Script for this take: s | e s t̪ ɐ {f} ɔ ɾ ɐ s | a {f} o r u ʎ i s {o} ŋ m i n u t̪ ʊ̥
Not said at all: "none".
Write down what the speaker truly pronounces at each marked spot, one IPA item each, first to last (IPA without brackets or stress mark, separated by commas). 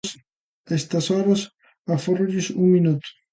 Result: s, f, u